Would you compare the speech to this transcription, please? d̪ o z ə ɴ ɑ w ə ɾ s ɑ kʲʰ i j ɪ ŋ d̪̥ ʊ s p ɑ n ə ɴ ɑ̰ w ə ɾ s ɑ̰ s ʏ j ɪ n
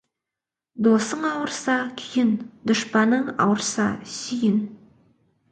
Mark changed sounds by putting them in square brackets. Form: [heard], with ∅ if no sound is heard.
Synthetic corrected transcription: d̪ o [s] ə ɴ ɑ w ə ɾ s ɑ kʲʰ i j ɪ [n] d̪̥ ʊ [ʃ] p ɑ n ə ɴ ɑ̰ w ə ɾ s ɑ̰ s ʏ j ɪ n